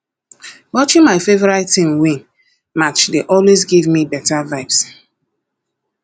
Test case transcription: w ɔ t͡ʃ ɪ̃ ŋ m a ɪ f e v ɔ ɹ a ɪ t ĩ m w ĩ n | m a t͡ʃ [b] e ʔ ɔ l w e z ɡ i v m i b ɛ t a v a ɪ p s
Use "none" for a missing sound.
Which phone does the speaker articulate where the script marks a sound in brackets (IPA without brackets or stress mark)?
d